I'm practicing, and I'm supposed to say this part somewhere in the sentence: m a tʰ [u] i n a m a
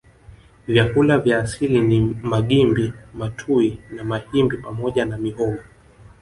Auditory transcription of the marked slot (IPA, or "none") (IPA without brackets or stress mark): u